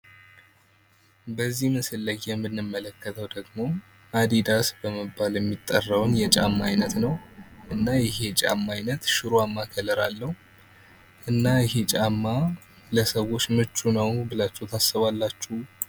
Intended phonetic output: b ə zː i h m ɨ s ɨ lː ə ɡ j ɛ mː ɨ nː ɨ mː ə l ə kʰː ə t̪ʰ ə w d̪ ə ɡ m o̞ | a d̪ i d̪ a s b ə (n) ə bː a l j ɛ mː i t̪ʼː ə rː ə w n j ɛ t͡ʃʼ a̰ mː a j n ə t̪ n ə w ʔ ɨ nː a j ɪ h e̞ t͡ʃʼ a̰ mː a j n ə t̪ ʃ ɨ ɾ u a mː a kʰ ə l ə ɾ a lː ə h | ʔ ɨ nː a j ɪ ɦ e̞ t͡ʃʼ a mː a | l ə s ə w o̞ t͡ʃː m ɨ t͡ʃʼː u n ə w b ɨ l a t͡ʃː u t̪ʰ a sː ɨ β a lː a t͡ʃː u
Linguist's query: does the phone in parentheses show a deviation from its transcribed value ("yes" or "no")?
yes